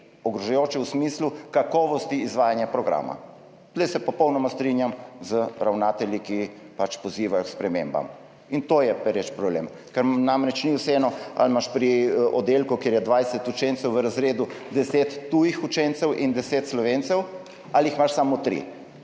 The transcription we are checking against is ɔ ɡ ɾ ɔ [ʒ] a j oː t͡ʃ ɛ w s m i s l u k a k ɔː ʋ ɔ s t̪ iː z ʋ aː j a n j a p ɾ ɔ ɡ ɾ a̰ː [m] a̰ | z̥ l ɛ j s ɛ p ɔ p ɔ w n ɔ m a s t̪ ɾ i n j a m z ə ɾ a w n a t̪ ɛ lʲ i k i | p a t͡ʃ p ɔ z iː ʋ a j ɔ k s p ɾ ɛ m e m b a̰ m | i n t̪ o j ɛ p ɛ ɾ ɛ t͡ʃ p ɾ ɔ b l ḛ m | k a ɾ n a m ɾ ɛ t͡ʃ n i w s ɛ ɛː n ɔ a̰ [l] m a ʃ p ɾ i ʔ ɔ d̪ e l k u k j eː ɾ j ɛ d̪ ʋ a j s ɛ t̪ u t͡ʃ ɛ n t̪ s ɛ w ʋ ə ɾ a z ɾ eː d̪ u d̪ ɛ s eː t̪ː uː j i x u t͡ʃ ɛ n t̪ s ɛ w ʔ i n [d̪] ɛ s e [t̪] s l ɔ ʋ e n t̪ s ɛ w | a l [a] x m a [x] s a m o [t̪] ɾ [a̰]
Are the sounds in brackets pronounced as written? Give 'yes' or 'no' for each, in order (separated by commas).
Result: yes, yes, yes, yes, yes, no, no, yes, no